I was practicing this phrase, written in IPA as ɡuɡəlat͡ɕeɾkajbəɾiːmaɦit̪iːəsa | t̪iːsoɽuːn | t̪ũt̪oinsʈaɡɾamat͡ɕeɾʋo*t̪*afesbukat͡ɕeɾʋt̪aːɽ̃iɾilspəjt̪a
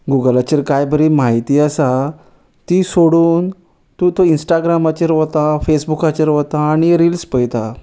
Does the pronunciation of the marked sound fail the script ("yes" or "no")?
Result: no